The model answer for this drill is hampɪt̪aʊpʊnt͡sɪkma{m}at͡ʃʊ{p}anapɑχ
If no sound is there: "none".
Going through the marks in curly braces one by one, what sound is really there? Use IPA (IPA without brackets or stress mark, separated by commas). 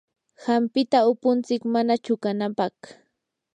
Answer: n, k